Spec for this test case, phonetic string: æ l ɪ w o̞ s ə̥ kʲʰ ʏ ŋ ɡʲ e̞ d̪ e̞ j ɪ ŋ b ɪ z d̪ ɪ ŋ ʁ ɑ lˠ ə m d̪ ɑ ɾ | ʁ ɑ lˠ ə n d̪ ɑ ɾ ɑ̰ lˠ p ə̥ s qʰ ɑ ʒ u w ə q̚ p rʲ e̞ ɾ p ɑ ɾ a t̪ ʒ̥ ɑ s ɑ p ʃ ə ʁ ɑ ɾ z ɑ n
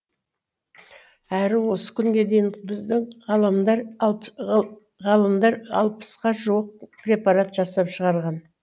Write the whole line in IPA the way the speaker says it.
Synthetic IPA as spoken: æ ɾ ɪ w o̞ s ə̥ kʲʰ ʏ ŋ ɡʲ e̞ d̪ e̞ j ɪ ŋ b ɪ z d̪ ɪ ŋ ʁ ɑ lˠ ə m d̪ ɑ ɾ | ʁ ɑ lˠ ə m d̪ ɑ ɾ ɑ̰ lˠ p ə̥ s q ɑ ʒ u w ə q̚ p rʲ e̞ p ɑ ɾ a t̪ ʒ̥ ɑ s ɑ p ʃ ə ʁ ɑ ɾ ʁ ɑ n